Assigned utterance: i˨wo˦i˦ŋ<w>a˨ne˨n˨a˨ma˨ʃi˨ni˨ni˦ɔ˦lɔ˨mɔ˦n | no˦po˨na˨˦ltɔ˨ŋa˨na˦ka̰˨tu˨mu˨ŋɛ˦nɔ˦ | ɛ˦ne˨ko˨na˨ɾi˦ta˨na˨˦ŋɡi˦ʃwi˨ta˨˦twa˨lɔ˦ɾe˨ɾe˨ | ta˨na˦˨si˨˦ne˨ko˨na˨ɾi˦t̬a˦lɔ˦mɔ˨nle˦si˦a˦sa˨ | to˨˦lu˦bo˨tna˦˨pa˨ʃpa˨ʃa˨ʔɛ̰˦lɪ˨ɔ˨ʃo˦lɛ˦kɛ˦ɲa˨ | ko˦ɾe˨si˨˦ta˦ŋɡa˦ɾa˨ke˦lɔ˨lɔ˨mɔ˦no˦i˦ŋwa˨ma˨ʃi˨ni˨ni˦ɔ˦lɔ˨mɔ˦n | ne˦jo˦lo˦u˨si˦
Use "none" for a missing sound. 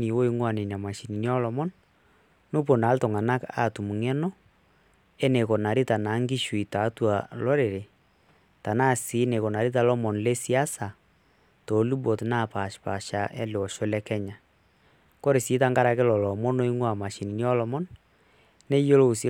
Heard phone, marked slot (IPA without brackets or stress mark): w